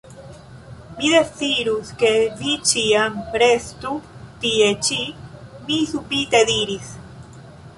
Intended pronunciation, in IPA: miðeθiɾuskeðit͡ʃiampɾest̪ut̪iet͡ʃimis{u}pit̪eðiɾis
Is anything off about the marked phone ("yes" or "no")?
no